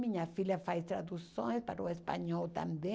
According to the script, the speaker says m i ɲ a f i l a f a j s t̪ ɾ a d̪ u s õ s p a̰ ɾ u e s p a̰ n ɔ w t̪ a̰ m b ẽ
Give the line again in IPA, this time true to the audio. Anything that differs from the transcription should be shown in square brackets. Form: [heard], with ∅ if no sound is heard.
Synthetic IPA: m i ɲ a f i l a f a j s t̪ ɾ a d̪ u s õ s p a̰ ɾ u e s p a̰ [ɲ] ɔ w t̪ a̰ m b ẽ